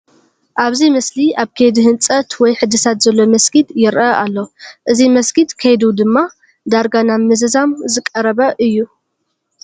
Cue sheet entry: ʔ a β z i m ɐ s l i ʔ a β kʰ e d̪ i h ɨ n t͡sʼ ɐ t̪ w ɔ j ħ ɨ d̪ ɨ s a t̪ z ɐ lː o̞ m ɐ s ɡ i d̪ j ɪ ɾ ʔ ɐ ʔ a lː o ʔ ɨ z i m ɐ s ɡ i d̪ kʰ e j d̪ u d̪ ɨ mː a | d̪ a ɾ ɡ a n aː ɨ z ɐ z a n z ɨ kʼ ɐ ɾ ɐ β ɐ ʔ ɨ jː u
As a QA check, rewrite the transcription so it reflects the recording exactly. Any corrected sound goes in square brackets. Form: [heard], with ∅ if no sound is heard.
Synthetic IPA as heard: ʔ a β z i m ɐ s l i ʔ a β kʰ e d̪ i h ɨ n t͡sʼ ɐ t̪ w ɔ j ħ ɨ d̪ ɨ s a t̪ z ɐ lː o̞ m ɐ s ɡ i d̪ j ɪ ɾ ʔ ɐ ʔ a lː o ʔ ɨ z i m ɐ s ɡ i d̪ kʰ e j d̪ u d̪ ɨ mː a | d̪ a ɾ ɡ a n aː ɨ z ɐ z a [m] z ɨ kʼ ɐ ɾ ɐ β ɐ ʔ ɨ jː u